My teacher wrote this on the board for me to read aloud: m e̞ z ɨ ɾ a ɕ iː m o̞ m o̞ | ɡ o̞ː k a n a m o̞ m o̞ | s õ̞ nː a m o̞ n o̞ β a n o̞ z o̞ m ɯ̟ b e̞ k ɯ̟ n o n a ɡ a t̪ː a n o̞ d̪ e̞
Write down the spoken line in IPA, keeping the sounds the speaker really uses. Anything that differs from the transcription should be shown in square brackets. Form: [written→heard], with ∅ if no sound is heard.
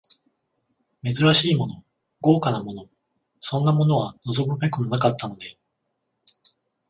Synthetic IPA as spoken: m e̞ z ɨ ɾ a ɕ iː m o̞ [m→n] o̞ | ɡ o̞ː k a n a m o̞ [m→n] o̞ | s õ̞ nː a m o̞ n o̞ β a n o̞ z o̞ m ɯ̟ b e̞ k ɯ̟ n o n a [ɡ→k] a t̪ː a n o̞ d̪ e̞